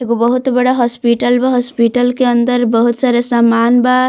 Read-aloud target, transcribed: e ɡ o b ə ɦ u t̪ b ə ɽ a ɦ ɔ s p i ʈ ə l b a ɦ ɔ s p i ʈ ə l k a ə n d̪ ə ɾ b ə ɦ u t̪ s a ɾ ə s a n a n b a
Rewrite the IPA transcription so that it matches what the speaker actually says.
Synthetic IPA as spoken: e ɡ o b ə ɦ u t̪ b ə ɽ a ɦ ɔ s p i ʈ ə l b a ɦ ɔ s p i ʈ ə l k e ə n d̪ ə ɾ b ə ɦ u t̪ s a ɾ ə s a m a n b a